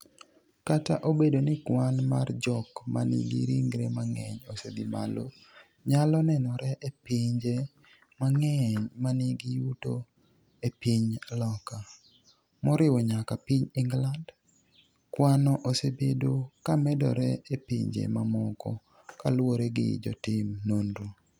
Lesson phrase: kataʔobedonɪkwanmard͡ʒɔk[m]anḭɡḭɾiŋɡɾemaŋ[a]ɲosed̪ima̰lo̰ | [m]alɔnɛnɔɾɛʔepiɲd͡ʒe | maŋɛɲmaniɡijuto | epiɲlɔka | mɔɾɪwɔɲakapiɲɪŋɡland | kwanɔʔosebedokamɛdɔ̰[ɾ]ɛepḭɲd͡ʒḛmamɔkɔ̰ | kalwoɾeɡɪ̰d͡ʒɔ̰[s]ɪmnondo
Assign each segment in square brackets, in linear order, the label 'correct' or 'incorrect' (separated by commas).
correct, incorrect, incorrect, correct, incorrect